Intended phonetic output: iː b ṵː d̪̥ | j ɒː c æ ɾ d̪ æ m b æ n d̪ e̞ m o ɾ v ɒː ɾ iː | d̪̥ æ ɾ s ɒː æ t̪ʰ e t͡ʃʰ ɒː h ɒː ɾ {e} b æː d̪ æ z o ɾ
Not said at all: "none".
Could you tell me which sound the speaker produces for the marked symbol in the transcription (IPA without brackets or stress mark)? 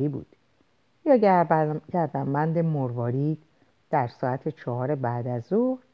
e